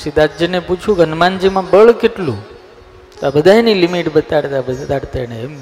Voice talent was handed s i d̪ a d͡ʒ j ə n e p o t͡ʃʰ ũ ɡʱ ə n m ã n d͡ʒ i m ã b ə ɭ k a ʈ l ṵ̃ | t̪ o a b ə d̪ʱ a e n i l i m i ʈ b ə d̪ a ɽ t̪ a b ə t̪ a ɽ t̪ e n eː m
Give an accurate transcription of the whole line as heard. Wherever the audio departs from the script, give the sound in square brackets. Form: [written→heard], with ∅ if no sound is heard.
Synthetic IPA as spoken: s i d̪ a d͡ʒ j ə n e p [o→u] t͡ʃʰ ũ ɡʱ ə n m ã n d͡ʒ i m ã b ə ɭ k [a→e] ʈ l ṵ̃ | t̪ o a b ə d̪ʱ a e n i l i m i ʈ b ə [d̪→t̪] a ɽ t̪ a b ə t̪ a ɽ t̪ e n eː m